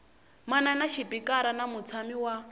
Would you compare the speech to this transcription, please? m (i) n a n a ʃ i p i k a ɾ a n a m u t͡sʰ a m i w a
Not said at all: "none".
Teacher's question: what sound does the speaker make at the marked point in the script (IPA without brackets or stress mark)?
a